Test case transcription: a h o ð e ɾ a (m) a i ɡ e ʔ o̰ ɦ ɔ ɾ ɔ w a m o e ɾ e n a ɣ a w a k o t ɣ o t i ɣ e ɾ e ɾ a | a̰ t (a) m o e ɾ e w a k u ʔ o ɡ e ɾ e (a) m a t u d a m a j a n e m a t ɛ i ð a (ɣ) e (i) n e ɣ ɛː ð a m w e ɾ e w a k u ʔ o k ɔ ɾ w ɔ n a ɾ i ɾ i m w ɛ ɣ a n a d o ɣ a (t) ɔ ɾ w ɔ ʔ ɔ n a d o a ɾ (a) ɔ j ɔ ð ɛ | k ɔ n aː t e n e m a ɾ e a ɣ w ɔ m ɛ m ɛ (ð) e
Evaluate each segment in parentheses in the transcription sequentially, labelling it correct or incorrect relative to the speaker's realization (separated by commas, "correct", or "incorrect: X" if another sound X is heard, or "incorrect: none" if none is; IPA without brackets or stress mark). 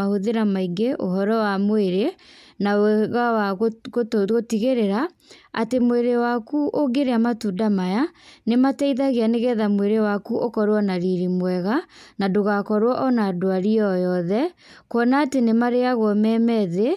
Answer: correct, incorrect: e, correct, correct, incorrect: a, incorrect: k, incorrect: i, correct